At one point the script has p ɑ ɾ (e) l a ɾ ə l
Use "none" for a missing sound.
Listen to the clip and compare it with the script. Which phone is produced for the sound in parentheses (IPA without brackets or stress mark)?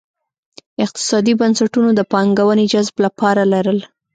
a